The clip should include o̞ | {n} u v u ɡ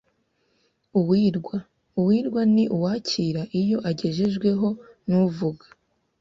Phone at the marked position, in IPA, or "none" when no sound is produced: n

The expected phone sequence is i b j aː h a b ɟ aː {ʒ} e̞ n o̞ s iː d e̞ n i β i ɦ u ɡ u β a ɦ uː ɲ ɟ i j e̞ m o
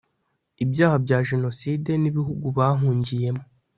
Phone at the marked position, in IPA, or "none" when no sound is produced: ʒ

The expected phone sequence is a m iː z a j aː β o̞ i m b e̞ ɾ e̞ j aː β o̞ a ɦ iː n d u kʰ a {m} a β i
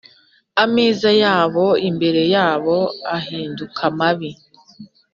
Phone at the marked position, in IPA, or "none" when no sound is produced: m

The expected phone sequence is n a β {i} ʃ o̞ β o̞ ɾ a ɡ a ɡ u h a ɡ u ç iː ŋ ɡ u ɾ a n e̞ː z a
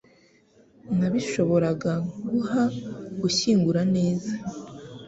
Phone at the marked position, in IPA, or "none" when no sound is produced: i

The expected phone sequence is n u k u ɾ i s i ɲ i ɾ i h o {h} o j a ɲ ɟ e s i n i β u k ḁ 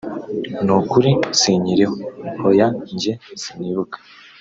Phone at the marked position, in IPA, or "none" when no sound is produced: h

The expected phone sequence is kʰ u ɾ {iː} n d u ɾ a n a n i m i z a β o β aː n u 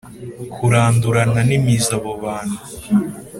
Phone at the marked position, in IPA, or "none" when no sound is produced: aː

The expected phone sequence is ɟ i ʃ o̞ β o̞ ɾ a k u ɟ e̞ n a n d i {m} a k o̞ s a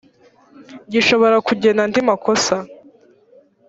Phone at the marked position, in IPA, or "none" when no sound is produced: m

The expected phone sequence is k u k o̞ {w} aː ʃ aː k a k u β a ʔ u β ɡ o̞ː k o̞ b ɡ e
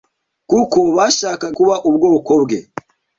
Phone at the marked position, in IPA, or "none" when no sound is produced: β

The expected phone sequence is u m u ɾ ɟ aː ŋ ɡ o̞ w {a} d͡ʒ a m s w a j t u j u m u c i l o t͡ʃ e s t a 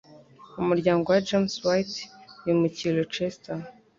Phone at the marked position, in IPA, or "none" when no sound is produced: a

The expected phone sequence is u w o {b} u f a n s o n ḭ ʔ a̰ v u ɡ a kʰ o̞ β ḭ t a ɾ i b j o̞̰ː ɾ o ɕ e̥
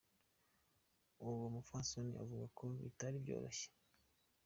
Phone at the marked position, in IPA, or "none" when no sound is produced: m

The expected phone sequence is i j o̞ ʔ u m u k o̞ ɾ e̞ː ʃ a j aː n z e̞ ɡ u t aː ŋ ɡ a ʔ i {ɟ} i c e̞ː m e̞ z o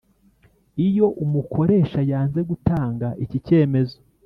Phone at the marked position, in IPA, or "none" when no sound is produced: c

